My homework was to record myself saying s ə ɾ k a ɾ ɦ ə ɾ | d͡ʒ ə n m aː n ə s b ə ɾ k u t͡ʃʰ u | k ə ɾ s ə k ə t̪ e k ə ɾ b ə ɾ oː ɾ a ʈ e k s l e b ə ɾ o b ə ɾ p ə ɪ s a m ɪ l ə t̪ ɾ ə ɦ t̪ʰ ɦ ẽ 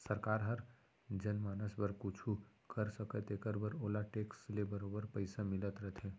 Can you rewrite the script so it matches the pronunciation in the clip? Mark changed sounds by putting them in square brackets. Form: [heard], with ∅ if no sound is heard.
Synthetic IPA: s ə ɾ k a ɾ ɦ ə ɾ | d͡ʒ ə n m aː n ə s b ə ɾ k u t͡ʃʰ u | k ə ɾ s ə k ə t̪ e k ə ɾ b ə ɾ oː [l] a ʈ e k s l e b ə ɾ o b ə ɾ p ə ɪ s a m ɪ l ə t̪ ɾ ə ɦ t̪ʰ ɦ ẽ